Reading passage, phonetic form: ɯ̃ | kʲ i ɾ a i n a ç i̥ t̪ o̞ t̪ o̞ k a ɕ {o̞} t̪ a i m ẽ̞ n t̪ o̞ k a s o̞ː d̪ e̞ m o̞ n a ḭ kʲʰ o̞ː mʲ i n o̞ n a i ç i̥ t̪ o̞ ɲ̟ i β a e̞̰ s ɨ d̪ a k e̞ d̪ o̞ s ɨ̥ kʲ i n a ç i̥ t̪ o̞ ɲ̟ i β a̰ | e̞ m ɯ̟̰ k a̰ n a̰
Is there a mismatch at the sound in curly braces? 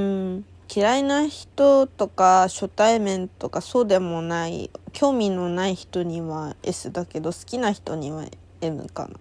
no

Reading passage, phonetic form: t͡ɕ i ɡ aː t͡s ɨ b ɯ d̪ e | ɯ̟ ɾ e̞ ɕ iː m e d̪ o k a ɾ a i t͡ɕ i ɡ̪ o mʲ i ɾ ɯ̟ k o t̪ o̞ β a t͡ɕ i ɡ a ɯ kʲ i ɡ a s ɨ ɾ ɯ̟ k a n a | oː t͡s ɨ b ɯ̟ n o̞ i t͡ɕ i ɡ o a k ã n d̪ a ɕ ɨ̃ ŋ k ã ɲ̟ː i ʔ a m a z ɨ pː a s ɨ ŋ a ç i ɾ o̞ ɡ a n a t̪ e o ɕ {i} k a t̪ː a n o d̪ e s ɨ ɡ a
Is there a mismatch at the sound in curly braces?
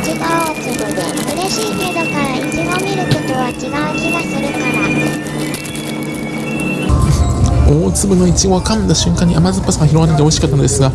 no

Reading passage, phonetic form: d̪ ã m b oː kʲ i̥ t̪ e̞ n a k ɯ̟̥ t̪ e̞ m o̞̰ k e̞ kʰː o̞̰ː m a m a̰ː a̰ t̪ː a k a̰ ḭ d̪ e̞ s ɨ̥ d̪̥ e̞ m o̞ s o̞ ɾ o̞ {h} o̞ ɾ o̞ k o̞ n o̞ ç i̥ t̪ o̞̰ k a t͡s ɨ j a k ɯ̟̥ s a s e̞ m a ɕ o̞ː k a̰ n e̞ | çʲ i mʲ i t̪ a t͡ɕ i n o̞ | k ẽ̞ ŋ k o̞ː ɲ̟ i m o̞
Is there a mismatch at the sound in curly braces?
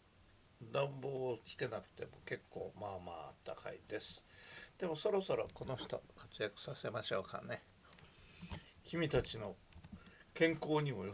yes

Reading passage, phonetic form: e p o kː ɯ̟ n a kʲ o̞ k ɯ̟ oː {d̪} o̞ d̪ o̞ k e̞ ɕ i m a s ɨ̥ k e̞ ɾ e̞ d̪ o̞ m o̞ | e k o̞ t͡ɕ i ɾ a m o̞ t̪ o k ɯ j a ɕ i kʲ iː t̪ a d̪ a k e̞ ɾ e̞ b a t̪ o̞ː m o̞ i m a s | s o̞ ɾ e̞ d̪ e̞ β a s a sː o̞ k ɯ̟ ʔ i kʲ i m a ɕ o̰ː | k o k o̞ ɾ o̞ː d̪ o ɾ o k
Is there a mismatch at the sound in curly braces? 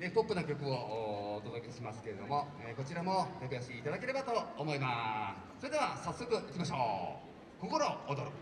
yes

